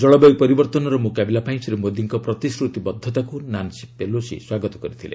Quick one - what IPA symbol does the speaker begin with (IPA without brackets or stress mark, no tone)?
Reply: d͡ʒ